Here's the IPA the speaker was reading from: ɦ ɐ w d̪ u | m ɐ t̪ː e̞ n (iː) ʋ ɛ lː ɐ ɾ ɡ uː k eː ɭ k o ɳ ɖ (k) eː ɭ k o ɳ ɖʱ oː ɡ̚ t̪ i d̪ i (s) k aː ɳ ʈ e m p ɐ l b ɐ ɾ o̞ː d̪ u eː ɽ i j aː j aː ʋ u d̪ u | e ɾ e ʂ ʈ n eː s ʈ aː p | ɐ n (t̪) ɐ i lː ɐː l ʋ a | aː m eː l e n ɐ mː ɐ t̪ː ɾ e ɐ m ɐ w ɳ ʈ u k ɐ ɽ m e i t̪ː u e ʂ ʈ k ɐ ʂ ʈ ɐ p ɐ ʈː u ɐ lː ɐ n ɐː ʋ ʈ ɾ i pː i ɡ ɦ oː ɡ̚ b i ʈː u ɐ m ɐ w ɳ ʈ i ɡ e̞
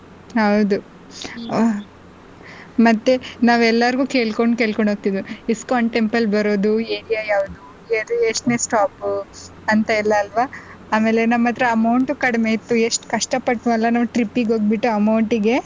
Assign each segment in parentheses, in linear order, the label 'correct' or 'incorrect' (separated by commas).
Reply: incorrect, correct, correct, correct